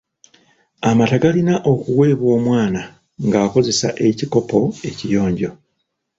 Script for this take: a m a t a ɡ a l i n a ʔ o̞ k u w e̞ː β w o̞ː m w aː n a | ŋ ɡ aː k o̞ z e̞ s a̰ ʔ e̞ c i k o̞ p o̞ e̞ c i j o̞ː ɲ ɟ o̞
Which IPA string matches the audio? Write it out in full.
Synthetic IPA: a m a t a ɡ a l i n a ʔ o̞ k u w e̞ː β w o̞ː m w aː n a | ŋ ɡ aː k o̞ z e̞ s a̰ ʔ e̞ c i k o̞ p o̞ e̞ c i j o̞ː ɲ ɟ o̞